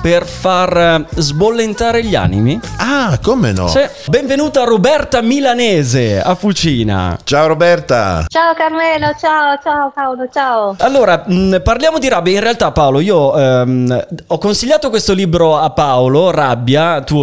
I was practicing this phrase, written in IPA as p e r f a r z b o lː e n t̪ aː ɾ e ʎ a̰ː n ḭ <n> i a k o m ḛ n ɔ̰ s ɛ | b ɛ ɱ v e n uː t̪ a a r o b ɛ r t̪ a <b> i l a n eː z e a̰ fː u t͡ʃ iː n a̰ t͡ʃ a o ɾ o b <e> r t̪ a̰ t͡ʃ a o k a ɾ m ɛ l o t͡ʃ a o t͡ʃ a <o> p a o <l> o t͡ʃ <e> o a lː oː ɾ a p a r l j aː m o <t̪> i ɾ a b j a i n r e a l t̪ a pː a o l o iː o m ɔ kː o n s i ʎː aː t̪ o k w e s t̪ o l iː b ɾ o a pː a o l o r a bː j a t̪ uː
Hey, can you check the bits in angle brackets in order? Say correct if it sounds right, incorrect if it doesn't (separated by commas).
incorrect, incorrect, incorrect, correct, correct, incorrect, incorrect